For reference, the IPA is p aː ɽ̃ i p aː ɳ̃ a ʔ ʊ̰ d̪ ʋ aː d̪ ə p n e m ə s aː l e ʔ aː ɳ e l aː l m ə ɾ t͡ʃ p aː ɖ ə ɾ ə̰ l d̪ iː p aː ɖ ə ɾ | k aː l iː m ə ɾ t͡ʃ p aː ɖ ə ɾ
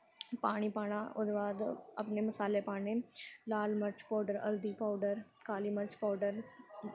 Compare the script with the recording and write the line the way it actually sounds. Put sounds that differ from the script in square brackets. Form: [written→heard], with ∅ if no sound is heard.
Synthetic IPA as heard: p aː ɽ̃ i p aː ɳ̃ a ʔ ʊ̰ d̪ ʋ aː d̪ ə p n e m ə s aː l e [ʔ→p] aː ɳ e l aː l m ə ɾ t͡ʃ p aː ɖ ə ɾ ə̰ l d̪ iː p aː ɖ ə ɾ | k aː l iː m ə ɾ t͡ʃ p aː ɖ ə ɾ